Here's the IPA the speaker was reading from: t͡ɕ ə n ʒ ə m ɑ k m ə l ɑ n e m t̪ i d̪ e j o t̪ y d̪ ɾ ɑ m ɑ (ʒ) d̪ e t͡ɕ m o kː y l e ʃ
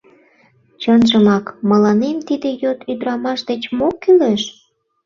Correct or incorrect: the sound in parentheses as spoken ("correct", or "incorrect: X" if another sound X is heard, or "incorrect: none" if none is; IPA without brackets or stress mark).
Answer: incorrect: ʃ